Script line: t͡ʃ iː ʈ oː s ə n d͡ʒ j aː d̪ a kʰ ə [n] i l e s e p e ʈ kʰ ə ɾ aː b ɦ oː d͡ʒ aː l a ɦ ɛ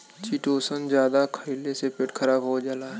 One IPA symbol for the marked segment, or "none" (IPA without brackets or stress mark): none